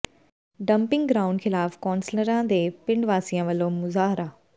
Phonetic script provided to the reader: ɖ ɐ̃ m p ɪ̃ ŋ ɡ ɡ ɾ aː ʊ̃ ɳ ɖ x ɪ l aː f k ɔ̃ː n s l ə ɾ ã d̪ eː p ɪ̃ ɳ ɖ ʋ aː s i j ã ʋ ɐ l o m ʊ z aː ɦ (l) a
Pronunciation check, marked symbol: incorrect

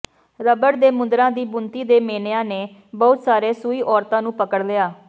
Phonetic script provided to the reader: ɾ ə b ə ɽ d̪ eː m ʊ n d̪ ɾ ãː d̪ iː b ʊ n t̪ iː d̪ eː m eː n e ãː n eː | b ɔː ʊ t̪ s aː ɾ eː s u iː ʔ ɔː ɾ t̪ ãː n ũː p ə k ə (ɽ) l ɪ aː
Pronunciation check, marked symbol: correct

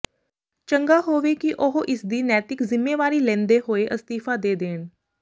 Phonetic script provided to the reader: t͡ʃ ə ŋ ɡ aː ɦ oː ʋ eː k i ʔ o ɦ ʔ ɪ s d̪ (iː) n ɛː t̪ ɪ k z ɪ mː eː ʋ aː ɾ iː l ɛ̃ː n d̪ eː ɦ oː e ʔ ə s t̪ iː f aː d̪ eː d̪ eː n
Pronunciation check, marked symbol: correct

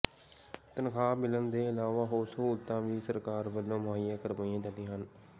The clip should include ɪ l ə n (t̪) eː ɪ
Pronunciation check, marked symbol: incorrect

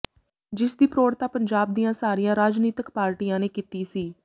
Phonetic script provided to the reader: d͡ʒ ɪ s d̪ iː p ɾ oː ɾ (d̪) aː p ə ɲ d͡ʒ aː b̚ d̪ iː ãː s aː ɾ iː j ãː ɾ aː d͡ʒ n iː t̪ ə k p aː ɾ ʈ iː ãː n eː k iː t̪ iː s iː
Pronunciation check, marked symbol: incorrect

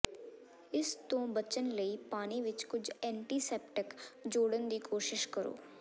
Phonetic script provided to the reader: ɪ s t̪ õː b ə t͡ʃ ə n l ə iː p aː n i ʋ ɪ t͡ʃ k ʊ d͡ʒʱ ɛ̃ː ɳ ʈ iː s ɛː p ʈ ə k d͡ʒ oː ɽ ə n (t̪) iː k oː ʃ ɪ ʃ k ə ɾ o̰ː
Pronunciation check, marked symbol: incorrect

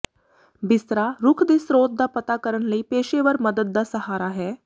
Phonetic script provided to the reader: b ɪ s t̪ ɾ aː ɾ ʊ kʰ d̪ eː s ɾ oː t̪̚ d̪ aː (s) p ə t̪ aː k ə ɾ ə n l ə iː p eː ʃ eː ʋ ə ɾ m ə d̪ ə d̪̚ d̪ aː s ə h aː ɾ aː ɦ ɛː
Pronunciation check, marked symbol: incorrect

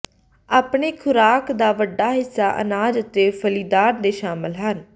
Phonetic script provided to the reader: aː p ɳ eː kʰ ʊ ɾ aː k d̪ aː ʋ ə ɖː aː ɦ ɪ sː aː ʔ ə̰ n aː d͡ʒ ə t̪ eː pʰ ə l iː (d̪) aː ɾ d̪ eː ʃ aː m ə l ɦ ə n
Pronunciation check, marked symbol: correct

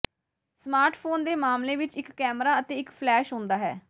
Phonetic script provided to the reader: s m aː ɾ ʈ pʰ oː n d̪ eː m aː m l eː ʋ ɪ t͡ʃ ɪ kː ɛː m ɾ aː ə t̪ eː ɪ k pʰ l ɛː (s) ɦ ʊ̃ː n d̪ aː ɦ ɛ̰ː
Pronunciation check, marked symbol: incorrect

